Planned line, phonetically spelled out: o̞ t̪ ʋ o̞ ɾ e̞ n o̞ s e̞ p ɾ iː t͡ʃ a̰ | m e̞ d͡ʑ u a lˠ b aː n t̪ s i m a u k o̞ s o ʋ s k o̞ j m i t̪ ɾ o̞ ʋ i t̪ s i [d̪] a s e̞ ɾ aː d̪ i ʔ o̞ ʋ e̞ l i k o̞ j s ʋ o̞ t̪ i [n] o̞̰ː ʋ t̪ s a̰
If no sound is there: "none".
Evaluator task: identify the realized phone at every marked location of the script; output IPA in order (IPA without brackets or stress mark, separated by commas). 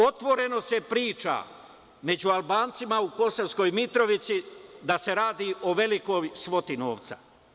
d̪, n